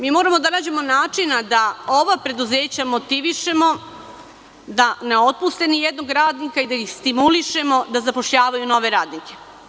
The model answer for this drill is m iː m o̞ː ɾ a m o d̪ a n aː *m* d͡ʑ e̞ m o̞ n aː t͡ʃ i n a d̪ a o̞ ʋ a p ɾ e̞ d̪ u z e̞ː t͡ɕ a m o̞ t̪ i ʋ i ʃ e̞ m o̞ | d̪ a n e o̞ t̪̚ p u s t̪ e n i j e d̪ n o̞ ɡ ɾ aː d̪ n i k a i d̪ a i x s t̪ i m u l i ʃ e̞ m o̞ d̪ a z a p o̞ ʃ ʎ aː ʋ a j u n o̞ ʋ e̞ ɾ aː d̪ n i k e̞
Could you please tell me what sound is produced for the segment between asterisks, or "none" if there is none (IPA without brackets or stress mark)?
none